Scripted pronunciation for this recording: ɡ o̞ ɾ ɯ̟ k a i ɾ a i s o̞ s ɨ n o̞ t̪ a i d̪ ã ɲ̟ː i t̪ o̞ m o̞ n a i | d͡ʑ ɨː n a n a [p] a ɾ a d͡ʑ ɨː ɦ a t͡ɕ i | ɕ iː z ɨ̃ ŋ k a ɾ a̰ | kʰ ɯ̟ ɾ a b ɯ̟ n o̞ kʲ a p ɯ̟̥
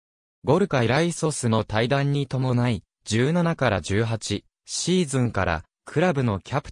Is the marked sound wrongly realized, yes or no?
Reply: yes